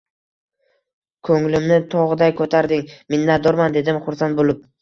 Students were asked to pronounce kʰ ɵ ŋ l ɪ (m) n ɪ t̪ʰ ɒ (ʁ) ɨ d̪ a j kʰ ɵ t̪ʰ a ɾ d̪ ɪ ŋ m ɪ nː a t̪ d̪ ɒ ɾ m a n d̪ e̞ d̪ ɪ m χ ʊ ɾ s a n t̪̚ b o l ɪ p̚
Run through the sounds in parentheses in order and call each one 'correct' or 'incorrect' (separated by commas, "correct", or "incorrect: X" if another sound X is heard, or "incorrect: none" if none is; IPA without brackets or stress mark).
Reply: correct, correct